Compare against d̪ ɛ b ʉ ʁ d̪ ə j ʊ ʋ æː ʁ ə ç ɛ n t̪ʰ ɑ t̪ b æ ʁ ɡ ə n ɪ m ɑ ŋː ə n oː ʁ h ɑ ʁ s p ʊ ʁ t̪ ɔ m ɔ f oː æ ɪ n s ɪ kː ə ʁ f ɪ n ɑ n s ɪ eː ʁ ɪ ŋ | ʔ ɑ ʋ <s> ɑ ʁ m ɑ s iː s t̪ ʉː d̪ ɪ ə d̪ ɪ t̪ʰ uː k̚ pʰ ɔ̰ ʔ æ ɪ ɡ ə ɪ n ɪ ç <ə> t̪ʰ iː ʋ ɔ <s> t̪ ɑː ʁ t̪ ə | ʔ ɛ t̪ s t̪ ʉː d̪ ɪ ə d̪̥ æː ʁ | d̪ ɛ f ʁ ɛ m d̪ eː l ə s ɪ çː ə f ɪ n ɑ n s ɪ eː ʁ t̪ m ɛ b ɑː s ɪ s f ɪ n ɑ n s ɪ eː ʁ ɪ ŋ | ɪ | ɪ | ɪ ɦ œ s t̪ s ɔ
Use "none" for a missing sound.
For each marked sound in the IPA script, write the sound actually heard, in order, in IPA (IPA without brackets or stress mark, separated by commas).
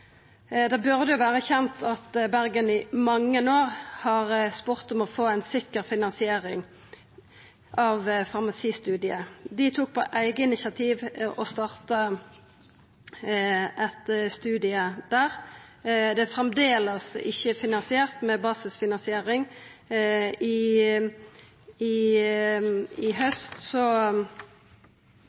f, ɑ, s